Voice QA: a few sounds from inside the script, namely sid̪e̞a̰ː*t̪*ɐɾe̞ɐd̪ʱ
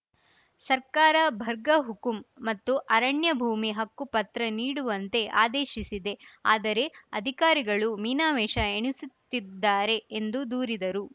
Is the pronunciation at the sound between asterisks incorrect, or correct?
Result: incorrect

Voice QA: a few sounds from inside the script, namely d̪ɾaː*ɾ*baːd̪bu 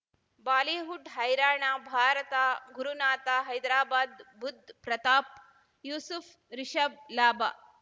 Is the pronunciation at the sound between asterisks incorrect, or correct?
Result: incorrect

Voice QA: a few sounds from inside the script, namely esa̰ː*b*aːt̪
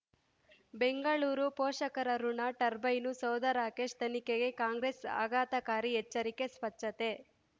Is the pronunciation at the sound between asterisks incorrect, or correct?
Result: incorrect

